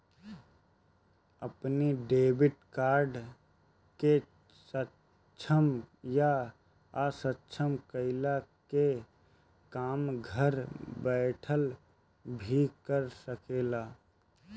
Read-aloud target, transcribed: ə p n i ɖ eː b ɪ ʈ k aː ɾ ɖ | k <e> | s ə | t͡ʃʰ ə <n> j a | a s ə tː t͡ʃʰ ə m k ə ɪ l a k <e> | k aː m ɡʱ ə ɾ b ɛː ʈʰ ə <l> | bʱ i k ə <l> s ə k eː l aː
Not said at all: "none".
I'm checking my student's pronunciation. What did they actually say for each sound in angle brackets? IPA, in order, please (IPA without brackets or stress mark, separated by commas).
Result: e, m, e, l, ɾ